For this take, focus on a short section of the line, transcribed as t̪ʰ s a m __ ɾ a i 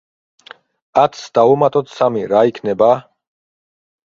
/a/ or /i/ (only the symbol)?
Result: i